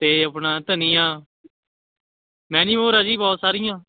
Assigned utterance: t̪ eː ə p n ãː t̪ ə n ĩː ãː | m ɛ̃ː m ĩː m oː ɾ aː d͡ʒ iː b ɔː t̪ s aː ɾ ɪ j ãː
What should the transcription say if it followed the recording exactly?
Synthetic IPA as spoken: t̪ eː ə p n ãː t̪ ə n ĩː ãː | m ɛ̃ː n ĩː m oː ɾ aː d͡ʒ iː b ɔː t̪ s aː ɾ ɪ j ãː